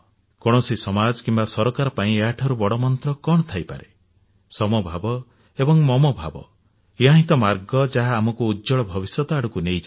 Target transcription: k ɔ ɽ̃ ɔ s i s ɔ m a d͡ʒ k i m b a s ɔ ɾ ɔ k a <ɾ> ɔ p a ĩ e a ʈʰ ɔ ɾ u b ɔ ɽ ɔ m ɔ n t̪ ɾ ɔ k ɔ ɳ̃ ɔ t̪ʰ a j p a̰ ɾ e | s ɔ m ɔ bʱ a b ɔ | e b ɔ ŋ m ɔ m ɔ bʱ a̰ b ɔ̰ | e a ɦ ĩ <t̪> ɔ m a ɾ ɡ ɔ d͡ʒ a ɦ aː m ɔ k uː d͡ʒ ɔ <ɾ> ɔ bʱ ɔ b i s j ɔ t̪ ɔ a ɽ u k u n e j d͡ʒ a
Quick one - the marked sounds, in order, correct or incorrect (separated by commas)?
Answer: correct, correct, incorrect